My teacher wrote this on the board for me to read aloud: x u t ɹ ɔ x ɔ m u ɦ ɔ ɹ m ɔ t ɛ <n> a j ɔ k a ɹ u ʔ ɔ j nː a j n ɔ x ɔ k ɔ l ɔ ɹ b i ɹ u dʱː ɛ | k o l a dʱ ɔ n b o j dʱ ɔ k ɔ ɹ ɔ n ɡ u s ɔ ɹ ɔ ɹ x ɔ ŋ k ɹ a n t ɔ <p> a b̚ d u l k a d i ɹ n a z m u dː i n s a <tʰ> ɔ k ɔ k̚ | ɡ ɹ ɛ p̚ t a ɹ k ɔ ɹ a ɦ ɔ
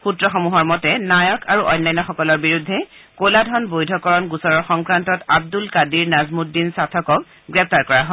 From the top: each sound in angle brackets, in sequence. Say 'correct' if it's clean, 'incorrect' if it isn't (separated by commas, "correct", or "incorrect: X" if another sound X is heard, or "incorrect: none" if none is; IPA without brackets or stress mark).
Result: correct, incorrect: t, correct